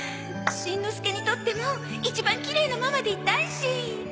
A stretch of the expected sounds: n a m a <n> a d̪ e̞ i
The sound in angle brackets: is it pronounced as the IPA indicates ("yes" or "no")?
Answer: no